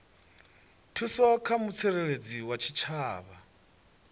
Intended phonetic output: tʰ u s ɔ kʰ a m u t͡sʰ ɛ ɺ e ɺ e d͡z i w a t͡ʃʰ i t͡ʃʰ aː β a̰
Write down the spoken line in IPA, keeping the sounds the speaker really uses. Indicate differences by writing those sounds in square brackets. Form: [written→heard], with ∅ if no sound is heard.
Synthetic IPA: tʰ u s ɔ kʰ a m u t͡sʰ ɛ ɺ e ɺ e d͡z i w a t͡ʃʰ i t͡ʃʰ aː β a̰